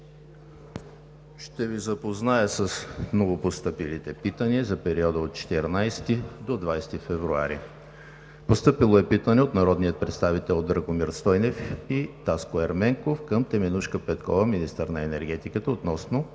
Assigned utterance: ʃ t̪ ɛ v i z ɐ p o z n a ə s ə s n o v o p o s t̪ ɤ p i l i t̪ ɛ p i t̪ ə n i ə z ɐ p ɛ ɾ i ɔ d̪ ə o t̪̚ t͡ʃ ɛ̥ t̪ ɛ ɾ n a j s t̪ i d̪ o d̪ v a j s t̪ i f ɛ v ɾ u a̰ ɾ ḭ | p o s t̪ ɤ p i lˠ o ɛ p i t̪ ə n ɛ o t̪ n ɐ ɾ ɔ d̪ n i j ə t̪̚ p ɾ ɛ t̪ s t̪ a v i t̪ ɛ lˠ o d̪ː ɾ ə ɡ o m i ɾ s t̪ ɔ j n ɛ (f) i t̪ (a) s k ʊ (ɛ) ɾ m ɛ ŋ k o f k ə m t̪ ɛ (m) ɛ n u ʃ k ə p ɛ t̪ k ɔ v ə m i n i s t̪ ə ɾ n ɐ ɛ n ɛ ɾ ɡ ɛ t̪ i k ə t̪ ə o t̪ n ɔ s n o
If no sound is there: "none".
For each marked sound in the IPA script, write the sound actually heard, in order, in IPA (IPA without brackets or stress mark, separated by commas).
f, a, ɛ, m